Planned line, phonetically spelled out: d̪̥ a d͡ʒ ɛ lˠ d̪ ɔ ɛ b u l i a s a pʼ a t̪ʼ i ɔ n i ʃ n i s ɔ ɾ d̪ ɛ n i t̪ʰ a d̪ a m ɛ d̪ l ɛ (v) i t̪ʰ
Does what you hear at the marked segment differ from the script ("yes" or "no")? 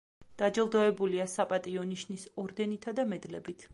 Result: yes